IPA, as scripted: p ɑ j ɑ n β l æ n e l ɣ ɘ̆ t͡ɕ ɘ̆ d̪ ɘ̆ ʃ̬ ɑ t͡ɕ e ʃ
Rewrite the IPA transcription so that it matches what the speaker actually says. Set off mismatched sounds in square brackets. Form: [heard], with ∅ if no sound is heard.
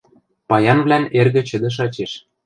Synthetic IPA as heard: p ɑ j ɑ n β l æ n e [r] ɣ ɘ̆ t͡ɕ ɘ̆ d̪ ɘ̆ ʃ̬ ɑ t͡ɕ e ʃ